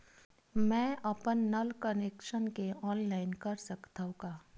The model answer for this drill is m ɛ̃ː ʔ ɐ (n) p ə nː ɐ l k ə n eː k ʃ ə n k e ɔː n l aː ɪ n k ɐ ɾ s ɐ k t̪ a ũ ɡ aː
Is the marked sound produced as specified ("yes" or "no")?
no